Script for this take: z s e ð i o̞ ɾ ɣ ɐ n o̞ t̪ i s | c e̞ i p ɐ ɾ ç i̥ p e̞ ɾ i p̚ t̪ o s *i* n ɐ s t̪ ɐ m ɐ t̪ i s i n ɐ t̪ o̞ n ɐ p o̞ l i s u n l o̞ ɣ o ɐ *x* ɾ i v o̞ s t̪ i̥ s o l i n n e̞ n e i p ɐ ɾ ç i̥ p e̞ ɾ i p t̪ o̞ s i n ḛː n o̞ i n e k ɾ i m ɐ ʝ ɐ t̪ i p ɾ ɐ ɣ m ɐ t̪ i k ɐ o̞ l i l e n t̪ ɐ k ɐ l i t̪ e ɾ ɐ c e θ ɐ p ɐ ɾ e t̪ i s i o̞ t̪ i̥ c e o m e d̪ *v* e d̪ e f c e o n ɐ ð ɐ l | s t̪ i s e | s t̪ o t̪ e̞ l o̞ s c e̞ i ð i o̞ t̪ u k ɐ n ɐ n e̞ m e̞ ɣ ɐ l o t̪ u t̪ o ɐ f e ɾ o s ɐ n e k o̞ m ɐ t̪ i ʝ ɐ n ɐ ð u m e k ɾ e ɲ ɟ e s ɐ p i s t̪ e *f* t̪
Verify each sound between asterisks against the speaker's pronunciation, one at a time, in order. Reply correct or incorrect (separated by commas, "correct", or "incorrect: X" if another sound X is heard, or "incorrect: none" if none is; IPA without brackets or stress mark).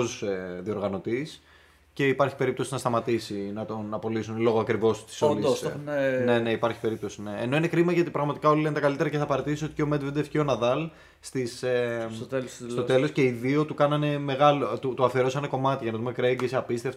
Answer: correct, incorrect: k, correct, correct